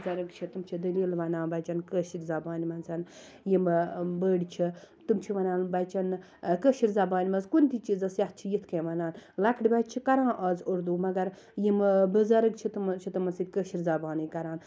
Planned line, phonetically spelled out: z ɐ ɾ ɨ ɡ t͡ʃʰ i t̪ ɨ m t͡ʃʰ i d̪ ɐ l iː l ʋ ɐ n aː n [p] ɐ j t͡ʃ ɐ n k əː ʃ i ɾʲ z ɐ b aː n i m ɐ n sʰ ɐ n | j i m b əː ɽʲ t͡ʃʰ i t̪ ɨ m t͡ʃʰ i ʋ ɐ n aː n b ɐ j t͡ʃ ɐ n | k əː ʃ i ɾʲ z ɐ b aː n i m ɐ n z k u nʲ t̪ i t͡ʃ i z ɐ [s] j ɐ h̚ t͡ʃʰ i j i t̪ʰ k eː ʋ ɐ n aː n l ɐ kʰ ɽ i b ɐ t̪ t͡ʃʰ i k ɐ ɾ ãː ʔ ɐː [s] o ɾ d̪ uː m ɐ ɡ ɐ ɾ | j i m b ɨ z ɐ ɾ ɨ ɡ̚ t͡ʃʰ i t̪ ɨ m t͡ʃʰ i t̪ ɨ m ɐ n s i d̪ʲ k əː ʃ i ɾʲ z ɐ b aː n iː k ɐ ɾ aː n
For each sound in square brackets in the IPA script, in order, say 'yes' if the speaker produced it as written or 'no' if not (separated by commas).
no, yes, no